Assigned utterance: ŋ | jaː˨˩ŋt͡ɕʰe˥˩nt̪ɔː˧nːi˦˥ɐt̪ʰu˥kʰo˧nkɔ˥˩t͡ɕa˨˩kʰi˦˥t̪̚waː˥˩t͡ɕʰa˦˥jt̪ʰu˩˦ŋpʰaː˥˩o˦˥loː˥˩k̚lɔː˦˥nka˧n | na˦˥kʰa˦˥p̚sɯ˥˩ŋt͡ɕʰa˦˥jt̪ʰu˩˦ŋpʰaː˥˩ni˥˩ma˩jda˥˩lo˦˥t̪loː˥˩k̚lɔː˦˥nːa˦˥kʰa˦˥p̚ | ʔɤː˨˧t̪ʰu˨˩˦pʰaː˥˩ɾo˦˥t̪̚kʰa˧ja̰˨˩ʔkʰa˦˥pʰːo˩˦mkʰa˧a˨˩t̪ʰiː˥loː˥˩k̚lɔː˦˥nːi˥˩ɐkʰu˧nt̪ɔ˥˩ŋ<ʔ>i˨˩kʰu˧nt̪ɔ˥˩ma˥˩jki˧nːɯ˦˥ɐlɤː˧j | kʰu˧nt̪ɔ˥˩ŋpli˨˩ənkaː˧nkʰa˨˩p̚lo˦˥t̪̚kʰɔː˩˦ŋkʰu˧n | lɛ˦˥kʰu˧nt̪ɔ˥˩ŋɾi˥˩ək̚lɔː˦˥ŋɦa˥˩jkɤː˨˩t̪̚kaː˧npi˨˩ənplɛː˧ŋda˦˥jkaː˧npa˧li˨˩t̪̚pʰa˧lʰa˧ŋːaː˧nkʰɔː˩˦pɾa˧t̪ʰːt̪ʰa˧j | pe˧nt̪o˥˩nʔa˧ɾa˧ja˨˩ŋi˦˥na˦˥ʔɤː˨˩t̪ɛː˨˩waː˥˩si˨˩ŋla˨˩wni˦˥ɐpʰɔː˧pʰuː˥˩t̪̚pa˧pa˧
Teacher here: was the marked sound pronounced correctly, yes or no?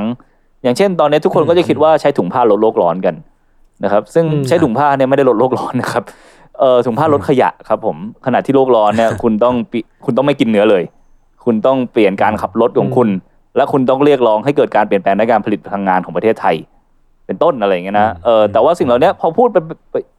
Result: no